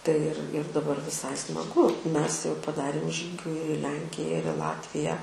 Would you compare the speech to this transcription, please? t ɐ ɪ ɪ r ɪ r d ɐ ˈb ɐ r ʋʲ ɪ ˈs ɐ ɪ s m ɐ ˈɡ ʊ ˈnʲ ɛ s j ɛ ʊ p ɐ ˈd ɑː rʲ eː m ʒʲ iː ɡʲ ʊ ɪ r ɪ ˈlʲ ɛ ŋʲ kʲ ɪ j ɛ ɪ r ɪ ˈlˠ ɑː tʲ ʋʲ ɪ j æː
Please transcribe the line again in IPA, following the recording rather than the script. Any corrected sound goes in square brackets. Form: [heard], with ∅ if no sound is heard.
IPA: t ɐ ɪ ɪ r ɪ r d ɐ ˈb ɐ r ʋʲ ɪ ˈs ɐ ɪ s m ɐ ˈɡ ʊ [ˈmʲ] ɛ s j ɛ ʊ p ɐ ˈd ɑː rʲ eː m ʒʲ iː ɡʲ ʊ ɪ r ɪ ˈlʲ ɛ ŋʲ kʲ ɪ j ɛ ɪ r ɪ ˈlˠ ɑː tʲ ʋʲ ɪ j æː